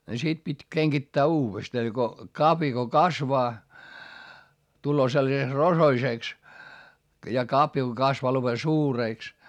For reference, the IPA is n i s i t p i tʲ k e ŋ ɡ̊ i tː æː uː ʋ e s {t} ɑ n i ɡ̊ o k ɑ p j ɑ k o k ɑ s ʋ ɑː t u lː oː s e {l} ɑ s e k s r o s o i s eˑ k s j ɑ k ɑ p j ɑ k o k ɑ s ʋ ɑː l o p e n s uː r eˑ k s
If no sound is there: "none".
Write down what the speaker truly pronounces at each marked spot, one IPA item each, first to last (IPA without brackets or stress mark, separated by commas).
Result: t, lː